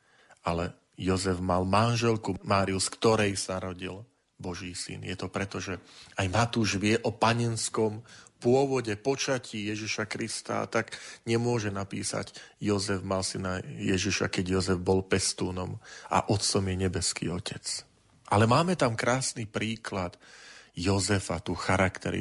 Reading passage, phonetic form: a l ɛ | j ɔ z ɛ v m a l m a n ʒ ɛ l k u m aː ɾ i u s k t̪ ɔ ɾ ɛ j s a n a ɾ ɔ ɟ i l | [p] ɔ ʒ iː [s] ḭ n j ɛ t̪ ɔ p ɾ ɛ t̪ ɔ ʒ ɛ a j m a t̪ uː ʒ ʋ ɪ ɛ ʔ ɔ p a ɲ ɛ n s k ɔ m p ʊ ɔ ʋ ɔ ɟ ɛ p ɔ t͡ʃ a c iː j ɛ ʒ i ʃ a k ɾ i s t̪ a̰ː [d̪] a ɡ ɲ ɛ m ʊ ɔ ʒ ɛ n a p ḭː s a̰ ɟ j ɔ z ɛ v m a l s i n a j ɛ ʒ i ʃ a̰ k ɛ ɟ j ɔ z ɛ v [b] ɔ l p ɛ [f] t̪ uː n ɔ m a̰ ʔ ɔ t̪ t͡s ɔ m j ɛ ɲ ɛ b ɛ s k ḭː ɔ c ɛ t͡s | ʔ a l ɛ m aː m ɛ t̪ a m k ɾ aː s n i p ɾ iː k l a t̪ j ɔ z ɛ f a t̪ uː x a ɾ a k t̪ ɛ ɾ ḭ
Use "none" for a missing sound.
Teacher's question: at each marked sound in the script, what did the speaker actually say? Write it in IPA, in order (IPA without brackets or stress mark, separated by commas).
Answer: b, s, t̪, b, s